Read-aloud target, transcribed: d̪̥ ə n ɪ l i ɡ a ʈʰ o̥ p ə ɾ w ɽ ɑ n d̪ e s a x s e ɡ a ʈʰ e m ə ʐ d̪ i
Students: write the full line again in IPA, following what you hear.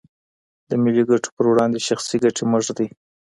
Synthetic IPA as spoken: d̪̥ ə m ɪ l i ɡ a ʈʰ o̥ p ə ɾ w ɽ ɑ n d̪ e ʃ a x s i ɡ a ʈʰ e m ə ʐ d̪ i